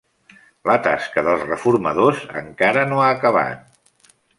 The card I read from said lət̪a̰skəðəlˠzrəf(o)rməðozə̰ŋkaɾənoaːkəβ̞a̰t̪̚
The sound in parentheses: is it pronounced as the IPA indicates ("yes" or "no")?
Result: no